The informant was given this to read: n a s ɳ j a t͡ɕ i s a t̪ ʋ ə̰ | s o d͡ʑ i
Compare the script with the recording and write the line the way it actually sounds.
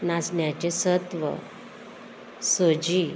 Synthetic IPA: n a s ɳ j a t͡ɕ e s ə t̪ ʋ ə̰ | s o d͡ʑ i